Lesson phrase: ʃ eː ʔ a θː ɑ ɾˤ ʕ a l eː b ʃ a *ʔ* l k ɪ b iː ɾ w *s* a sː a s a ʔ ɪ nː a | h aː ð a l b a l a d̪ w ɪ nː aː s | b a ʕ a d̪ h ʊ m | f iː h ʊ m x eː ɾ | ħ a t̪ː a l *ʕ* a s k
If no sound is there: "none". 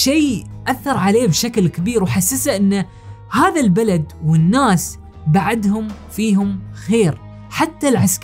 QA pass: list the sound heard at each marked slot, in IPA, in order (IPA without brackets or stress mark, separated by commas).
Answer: k, ħ, ʕ